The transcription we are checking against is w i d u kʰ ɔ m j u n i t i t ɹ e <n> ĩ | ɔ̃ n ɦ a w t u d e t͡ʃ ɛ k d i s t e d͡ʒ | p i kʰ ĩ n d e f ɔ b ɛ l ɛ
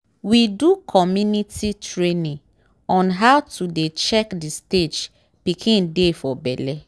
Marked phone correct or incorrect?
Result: correct